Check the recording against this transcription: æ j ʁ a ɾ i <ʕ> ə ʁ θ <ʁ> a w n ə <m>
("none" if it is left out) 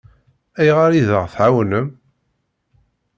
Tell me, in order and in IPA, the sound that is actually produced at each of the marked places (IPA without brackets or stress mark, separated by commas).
ð, ʕ, m